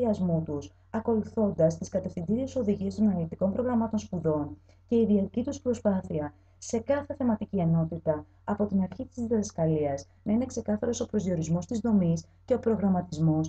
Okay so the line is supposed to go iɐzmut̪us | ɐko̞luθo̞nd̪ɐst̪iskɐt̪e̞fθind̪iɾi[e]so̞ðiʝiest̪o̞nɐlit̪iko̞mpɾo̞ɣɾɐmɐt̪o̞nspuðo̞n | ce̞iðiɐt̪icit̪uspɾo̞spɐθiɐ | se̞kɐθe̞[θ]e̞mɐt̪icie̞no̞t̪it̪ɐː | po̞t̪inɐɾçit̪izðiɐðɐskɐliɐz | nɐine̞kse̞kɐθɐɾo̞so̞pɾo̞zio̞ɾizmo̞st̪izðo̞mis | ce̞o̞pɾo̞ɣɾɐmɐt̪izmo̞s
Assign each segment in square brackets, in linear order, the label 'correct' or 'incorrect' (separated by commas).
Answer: correct, correct